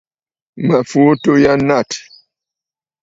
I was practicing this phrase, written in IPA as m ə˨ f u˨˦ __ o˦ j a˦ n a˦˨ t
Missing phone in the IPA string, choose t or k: t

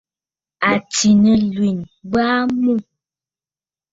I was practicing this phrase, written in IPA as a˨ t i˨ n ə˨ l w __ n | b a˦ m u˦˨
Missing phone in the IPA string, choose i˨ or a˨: i˨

